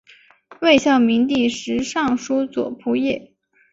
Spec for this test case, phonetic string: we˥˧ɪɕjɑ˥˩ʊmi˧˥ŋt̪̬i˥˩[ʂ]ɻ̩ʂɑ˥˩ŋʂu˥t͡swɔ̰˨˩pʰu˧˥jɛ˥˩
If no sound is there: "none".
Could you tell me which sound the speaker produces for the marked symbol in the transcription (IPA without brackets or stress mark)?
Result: ʂ